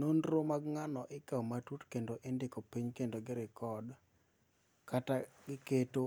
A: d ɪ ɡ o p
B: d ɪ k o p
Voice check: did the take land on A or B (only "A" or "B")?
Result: B